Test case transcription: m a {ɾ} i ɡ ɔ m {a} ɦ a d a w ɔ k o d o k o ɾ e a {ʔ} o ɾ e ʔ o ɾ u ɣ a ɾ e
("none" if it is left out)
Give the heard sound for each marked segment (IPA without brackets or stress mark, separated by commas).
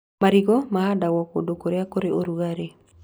ɾ, a, k